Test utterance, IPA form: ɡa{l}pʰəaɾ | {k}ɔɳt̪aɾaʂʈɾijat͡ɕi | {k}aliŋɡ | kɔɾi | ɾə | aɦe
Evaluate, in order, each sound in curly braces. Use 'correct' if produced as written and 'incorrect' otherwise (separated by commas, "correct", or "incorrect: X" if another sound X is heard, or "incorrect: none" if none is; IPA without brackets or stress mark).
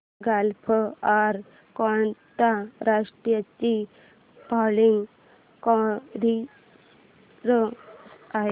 correct, correct, incorrect: p